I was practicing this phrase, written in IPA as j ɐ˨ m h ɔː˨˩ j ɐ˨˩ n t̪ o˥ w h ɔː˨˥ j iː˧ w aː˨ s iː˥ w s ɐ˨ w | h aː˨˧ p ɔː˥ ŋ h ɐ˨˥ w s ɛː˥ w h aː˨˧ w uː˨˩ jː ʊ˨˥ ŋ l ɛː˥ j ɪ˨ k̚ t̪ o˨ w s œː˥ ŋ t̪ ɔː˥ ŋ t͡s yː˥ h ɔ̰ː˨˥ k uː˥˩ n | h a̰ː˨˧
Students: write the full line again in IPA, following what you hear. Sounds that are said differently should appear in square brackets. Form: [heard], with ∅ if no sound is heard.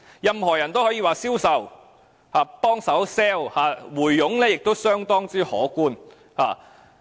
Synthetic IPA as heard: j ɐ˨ m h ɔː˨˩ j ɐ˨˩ n t̪ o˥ w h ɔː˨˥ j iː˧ w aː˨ s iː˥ w s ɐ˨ w | h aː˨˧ p ɔː˥ ŋ [s] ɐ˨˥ w s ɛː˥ w h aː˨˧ w uː˨˩ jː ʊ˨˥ ŋ l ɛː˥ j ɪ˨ k̚ t̪ [o˥] w s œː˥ ŋ t̪ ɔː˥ ŋ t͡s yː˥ h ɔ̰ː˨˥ k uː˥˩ n | h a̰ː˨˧